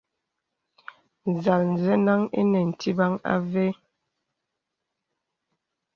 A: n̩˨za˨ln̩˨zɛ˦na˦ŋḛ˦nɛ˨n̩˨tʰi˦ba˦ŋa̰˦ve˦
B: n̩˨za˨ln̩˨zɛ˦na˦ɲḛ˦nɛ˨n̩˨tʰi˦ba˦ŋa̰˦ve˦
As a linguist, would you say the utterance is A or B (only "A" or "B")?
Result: A